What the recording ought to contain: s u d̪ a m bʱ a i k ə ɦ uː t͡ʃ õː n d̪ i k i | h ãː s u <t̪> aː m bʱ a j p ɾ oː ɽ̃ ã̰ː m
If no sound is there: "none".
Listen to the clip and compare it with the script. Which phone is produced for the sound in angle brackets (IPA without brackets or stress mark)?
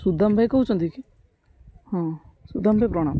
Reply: d̪